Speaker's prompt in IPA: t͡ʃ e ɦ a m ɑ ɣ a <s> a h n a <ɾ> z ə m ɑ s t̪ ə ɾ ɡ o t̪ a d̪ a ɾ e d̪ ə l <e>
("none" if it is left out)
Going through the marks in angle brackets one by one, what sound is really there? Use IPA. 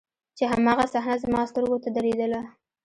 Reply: s, none, a

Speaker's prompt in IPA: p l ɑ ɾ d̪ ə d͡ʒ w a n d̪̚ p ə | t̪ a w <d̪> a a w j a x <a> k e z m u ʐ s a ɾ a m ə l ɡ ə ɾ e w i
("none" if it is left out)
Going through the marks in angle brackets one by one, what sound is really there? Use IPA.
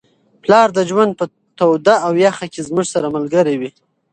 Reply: d̪, a

